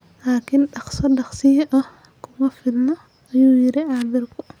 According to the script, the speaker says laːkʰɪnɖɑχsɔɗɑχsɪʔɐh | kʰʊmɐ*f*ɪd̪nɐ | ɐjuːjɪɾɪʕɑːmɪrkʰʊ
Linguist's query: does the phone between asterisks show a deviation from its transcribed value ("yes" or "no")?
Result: no